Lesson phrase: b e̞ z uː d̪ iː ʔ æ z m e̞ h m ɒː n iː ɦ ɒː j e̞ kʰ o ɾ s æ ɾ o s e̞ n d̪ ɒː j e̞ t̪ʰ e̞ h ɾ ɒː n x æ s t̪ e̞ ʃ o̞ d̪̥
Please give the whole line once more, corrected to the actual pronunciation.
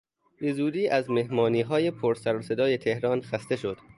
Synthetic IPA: b e̞ z uː d̪ iː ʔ æ z m e̞ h m ɒː n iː ɦ ɒː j e̞ pʰ o ɾ s æ ɾ o s e̞ d̪ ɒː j e̞ t̪ʰ e̞ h ɾ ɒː n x æ s t̪ e̞ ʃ o̞ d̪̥